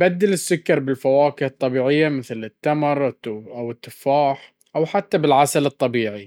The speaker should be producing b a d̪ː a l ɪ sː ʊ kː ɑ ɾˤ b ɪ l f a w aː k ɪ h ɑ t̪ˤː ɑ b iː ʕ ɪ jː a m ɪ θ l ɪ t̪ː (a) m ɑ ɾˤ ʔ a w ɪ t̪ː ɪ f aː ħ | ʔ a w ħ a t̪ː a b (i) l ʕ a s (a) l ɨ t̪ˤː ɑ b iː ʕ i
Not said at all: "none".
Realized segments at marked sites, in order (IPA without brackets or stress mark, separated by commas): a, ɪ, a